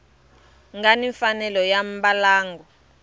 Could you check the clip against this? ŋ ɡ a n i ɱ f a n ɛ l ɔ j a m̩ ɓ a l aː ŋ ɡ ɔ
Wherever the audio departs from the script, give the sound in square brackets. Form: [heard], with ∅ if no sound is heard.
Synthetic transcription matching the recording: ŋ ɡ a n i ɱ f a n ɛ l ɔ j a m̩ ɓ a l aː ŋ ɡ ɔ